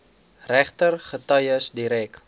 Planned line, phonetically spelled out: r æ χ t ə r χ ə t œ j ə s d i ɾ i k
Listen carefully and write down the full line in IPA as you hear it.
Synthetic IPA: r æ χ t ə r χ ə t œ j ə s d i ɾ ɛ k